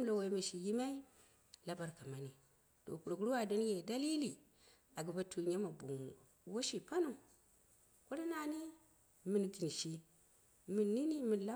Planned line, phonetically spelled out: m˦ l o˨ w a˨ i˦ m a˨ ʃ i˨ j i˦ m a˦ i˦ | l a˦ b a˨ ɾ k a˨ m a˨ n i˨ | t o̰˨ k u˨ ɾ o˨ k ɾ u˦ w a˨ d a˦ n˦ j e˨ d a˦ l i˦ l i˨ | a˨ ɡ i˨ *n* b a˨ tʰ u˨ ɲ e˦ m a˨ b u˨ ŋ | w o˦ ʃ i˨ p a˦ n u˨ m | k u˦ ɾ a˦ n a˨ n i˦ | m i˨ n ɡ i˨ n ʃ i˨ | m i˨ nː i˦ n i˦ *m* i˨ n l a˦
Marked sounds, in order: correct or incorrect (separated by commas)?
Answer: incorrect, correct